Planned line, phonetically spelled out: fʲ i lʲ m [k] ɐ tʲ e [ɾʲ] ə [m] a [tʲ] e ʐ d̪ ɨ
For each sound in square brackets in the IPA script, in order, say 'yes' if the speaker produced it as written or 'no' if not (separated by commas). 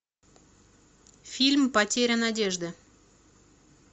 no, yes, no, no